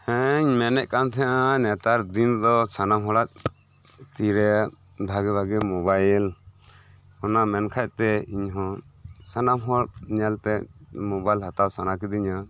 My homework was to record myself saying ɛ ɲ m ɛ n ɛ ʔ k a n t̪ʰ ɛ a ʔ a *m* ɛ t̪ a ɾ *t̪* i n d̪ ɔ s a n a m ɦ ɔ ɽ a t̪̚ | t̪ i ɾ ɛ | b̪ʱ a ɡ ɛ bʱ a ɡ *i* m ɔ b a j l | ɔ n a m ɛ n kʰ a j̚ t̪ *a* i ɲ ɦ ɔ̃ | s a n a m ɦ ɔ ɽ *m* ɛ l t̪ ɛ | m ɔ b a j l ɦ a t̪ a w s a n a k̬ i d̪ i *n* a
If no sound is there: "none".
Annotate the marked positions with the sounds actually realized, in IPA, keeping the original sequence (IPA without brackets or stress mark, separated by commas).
n, d̪, ɛ, ɛ, ɲ, ɲ